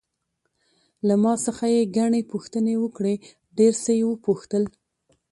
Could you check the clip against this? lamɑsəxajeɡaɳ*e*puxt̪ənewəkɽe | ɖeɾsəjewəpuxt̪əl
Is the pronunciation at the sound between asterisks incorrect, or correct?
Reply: correct